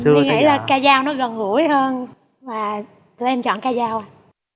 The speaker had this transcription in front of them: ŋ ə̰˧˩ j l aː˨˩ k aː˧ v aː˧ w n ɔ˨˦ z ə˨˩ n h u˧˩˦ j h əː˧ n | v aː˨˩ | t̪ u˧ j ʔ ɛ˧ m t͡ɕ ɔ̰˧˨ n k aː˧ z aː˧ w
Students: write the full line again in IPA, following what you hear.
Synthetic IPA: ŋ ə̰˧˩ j l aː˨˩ k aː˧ z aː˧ w n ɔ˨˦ ɣ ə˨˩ n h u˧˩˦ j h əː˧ n | v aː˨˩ | t̪ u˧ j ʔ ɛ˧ m t͡ɕ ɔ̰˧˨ n k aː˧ z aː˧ w